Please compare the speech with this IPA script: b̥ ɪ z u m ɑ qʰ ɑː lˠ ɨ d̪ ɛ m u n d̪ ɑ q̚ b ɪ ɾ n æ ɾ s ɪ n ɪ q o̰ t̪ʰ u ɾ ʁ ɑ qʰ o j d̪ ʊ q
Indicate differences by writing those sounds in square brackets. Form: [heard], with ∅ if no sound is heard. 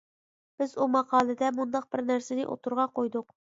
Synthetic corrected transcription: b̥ ɪ z u m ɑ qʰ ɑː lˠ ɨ d̪ ɛ m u n d̪ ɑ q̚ b ɪ ɾ n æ ɾ s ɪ n ɪ [ʔ] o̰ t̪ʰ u ɾ ʁ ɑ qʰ o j d̪ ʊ q

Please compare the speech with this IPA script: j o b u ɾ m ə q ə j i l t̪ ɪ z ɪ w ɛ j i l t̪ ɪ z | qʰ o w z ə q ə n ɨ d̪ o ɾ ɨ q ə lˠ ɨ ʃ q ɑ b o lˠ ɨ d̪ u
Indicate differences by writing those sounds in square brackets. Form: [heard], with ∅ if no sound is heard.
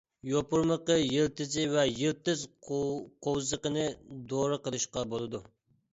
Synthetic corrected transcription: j o [p] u ɾ m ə q ə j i l t̪ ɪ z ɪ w ɛ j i l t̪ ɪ z | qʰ o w z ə q ə n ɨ d̪ o ɾ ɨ q ə lˠ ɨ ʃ q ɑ b o lˠ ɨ d̪ u

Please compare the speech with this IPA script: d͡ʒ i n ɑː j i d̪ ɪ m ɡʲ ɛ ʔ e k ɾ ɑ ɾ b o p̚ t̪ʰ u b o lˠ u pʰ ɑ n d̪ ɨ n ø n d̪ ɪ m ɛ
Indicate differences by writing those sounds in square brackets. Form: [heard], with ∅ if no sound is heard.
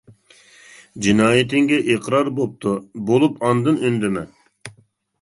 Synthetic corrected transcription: d͡ʒ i n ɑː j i [t̪] ɪ [ŋ] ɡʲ ɛ ʔ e [q] ɾ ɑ ɾ b o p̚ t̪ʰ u b o lˠ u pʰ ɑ n d̪ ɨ n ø n d̪ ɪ m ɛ

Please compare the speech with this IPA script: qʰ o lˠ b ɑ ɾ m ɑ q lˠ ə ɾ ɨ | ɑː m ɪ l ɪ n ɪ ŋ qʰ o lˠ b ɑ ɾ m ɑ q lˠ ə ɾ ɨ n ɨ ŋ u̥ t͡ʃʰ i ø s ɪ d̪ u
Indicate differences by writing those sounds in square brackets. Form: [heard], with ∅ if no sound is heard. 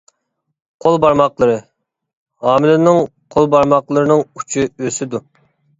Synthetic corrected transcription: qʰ o lˠ b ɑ ɾ m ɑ q lˠ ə ɾ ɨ | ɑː m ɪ l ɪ n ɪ ŋ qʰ o lˠ b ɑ ɾ m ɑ q lˠ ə ɾ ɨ n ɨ ŋ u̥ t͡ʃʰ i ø s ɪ d̪ u

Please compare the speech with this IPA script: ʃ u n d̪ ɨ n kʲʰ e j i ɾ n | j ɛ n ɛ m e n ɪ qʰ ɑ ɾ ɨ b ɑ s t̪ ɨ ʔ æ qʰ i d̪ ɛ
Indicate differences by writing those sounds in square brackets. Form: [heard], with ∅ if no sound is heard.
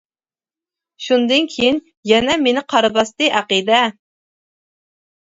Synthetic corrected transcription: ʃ u n d̪ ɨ n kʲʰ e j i [∅] n | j ɛ n ɛ m e n ɪ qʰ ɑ ɾ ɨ b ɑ s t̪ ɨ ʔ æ [q] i d̪ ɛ

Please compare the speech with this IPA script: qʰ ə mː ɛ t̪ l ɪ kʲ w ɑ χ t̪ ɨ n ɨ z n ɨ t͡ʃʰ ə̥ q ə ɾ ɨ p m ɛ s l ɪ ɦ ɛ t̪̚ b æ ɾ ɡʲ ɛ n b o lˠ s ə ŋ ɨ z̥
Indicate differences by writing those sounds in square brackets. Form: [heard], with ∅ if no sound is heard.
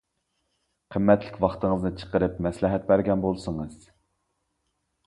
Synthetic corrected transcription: qʰ ə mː ɛ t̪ l ɪ kʲ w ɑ χ t̪ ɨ [ŋ] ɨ z n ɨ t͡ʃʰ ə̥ q ə ɾ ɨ p m ɛ s l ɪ ɦ ɛ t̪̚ b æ ɾ ɡʲ ɛ n b o lˠ s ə ŋ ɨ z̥

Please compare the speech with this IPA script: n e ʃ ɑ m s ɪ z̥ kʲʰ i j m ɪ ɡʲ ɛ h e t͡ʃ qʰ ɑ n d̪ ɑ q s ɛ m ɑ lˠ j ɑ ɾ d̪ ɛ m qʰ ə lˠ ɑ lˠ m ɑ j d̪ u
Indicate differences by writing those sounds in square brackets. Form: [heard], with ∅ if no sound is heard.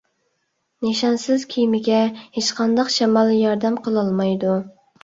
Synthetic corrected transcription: n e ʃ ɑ [n] s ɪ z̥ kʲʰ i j m ɪ ɡʲ ɛ h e t͡ʃ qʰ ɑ n d̪ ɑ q [ʃ] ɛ m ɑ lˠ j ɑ ɾ d̪ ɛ m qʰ ə lˠ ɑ lˠ m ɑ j d̪ u

